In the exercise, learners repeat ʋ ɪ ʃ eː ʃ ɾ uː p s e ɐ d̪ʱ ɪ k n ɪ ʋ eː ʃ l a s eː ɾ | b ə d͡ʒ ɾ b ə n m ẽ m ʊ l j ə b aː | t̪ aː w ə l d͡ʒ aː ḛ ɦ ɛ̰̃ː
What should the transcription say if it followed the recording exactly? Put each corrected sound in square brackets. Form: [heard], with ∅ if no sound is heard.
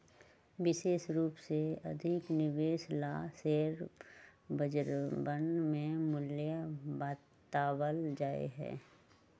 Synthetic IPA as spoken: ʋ ɪ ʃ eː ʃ ɾ uː p s e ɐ d̪ʱ ɪ k n ɪ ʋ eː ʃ l a s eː ɾ | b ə d͡ʒ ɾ b ə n m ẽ m ʊ l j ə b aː | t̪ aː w ə l d͡ʒ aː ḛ ɦ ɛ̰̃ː